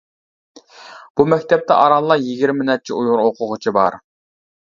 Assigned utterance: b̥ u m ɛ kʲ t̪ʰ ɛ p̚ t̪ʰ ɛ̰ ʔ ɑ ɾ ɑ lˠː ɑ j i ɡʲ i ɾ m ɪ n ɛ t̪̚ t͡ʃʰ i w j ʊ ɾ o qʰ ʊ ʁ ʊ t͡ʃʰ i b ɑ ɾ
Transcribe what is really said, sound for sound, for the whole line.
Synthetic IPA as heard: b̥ u m ɛ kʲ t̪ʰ ɛ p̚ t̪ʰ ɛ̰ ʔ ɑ ɾ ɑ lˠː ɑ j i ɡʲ i ɾ m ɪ n ɛ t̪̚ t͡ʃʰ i u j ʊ ɾ o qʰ ʊ ʁ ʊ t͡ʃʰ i b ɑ ɾ